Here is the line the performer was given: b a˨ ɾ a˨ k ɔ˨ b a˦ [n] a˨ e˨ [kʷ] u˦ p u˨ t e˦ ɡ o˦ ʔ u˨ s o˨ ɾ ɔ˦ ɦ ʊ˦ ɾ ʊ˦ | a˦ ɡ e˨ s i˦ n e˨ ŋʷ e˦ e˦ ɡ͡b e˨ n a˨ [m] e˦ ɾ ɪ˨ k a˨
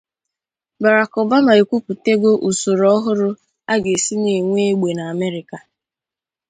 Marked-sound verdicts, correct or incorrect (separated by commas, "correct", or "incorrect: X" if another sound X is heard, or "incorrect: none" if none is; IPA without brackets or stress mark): incorrect: m, correct, correct